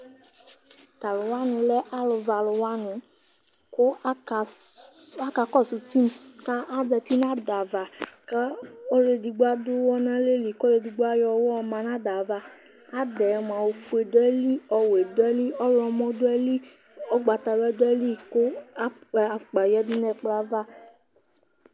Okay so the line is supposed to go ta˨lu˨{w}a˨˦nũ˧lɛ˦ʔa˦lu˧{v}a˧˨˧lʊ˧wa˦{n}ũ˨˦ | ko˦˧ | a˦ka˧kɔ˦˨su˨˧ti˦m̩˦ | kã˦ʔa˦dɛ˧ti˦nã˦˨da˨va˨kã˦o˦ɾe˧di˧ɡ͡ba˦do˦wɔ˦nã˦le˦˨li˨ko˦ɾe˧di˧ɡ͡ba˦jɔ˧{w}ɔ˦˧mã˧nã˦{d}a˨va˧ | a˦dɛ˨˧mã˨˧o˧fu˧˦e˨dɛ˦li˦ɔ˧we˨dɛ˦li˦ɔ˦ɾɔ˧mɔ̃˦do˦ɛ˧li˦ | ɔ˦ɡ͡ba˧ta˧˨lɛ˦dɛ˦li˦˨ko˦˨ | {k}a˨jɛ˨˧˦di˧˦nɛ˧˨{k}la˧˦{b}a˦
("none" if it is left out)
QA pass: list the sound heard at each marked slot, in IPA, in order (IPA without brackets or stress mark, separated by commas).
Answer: w, v, n, w, d, k͡p, k͡p, v